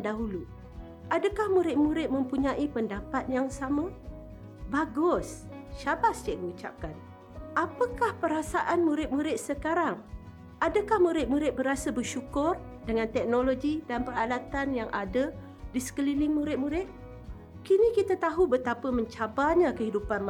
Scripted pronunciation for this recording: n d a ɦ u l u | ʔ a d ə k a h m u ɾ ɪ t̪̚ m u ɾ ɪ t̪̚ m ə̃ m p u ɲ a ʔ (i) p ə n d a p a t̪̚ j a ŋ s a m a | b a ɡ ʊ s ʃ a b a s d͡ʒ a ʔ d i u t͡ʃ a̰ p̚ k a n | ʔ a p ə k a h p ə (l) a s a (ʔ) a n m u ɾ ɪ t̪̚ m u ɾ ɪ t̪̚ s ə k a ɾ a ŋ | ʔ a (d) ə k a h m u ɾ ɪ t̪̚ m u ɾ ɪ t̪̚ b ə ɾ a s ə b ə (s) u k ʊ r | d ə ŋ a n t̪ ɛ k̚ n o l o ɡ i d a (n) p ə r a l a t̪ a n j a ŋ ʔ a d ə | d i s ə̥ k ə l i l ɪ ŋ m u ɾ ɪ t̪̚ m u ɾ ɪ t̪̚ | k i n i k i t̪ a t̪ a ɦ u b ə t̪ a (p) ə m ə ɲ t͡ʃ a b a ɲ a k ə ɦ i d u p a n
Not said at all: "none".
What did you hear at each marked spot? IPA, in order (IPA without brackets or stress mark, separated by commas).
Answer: i, ɾ, ʔ, d, ʃ, n, p